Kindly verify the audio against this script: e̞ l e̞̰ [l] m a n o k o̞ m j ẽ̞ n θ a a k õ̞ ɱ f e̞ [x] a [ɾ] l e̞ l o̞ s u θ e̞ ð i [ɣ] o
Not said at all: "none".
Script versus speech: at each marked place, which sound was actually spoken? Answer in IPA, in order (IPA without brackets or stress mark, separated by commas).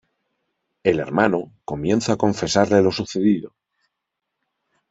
ɾ, s, ɾ, ð